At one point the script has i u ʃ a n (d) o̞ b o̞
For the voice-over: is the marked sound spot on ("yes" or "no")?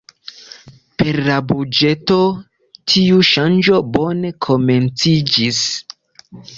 no